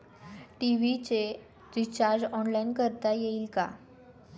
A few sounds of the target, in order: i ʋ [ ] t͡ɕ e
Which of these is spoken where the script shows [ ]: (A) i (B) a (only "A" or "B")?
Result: A